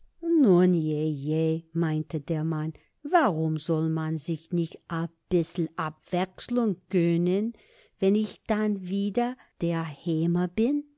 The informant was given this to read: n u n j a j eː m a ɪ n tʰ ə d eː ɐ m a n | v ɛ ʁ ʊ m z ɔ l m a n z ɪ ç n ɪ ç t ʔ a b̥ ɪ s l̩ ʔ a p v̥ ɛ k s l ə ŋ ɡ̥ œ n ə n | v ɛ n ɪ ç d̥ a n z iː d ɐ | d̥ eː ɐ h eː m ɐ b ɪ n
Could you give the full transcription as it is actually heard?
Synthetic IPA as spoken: n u n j e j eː m a ɪ n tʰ ə d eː ɐ m a n | v a ʁ ʊ m z ɔ l m a n z ɪ ç n ɪ ç t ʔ a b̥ ɪ s l̩ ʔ a p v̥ ɛ k s l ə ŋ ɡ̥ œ n ə n | v ɛ n ɪ ç d̥ a n v iː d ɐ | d̥ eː ɐ h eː m ɐ b ɪ n